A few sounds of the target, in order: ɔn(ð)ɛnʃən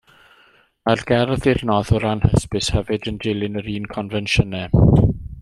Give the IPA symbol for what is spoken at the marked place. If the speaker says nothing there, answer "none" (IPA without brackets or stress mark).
v